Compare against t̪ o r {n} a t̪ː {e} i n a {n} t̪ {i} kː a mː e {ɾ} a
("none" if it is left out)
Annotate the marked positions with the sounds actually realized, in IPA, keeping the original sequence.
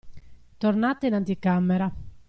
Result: n, e, n, i, ɾ

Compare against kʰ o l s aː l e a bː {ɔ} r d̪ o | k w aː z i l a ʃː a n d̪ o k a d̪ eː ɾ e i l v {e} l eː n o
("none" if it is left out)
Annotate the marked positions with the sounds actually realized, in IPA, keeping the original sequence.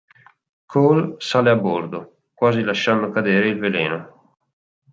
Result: o, e

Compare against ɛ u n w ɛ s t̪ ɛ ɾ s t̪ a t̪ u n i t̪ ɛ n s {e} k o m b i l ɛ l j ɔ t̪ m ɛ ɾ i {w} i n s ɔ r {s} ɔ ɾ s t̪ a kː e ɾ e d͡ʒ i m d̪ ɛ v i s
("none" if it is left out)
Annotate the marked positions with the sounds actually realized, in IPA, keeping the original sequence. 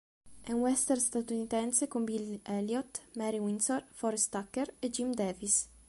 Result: e, w, f

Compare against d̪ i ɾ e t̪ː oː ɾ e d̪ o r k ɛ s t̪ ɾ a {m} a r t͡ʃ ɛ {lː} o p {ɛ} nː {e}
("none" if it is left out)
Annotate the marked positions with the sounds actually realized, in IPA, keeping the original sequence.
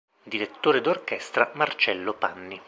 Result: m, lː, a, i

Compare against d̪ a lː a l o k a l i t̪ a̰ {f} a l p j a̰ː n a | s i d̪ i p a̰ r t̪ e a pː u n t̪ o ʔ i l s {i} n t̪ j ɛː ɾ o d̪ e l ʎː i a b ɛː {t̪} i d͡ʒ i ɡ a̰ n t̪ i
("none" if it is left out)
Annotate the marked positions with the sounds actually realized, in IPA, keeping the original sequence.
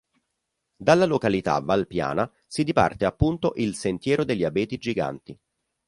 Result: v, e, t̪

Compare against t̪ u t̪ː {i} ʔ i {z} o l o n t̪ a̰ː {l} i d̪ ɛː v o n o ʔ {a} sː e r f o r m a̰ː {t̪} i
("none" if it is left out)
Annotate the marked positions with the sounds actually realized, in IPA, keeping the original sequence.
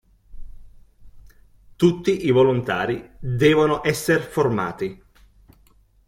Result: i, v, ɾ, ɛ, t̪

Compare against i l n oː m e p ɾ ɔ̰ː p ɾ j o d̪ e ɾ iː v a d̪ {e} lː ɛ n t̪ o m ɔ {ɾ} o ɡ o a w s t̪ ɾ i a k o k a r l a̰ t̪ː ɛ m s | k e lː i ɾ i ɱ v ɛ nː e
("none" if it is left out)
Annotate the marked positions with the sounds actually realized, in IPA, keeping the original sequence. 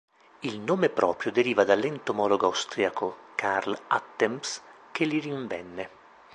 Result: a, l

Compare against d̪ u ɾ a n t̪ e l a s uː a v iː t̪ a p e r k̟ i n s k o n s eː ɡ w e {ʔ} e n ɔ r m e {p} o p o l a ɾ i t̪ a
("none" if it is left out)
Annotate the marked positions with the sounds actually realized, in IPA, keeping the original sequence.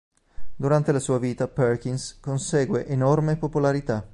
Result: ʔ, p

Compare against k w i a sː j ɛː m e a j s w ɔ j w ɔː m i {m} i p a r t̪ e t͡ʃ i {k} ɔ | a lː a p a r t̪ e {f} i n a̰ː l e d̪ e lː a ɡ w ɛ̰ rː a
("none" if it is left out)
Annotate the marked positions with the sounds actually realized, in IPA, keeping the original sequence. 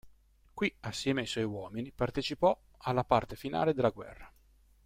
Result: n, p, f

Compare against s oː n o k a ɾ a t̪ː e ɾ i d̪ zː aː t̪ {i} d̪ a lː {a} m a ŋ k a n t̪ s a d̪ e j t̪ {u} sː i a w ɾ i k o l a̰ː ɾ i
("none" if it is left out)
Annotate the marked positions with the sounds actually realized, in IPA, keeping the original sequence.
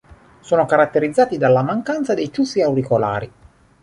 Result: i, a, u

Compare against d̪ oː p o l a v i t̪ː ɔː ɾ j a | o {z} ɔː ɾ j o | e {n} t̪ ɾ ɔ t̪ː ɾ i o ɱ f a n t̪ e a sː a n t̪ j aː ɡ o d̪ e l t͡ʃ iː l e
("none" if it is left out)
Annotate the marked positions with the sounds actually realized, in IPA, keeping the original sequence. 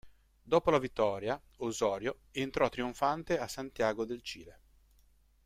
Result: z, n

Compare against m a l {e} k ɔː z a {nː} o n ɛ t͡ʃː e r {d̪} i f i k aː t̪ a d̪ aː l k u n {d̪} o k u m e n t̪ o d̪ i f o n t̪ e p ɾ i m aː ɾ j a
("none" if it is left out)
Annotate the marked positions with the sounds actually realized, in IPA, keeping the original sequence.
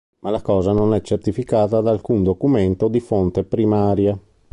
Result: a, n, t̪, d̪

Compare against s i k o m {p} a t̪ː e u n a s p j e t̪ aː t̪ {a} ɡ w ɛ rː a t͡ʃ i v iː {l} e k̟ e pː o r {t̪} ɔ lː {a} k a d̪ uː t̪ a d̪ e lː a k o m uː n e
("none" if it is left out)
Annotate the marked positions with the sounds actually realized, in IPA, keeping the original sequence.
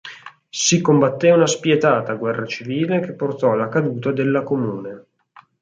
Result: b, a, l, t̪, a

